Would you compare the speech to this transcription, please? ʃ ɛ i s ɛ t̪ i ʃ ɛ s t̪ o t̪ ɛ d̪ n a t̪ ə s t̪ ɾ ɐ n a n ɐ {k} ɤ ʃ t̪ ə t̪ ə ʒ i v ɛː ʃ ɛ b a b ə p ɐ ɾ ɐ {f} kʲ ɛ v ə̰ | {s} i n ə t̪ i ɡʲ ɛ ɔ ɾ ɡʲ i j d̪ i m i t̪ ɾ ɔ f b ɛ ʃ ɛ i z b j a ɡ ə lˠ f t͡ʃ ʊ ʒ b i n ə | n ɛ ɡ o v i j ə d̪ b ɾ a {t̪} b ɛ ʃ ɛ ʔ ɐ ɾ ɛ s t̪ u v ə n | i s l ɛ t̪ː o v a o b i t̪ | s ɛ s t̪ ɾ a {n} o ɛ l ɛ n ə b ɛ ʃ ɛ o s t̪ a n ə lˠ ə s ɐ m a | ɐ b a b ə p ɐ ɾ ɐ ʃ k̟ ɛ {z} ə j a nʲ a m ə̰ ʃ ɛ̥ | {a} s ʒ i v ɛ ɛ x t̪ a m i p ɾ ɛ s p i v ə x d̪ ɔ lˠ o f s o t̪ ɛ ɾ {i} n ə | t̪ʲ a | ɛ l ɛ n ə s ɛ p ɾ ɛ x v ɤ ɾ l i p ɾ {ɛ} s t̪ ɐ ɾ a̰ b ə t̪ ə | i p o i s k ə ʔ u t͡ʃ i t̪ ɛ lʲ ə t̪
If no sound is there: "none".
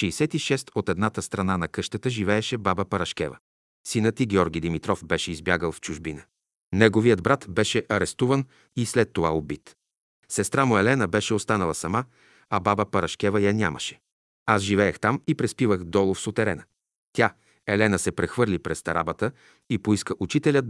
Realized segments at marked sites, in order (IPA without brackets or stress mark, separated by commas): k, ʃ, s, t̪, m, v, a, ɛ, ɛ